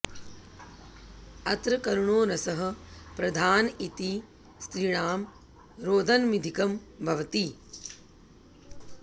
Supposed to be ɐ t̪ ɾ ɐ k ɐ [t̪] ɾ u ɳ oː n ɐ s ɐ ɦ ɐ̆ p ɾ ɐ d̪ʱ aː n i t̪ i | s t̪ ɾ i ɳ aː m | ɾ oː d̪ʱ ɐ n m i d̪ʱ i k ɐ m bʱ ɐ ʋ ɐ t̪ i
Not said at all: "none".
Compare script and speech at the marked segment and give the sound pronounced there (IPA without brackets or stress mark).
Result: none